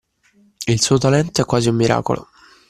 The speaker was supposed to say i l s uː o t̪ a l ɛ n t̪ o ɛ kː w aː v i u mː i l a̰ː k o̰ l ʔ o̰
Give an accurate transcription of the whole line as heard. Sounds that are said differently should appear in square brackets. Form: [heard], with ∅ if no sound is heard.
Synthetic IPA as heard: i l s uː o t̪ a l ɛ n t̪ o ɛ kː w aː [z] i u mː i [ɾ] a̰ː k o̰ l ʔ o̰